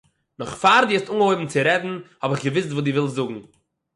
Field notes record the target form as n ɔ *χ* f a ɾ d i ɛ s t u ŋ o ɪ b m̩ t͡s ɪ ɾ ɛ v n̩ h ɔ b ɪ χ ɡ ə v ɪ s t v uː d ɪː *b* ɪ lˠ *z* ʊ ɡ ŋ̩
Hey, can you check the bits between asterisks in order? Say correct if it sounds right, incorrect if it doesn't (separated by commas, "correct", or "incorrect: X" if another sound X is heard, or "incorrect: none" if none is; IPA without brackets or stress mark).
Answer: correct, incorrect: v, correct